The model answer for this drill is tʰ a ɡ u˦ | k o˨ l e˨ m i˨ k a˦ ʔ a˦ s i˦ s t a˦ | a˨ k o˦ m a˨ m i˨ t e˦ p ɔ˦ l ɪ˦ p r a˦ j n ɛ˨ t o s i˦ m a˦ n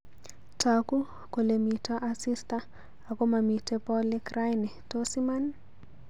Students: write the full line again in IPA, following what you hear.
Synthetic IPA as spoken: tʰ a k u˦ | k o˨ l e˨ m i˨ t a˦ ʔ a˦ s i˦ s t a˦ | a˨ k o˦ m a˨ m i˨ t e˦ p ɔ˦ l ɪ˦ k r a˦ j n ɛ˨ t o s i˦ m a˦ n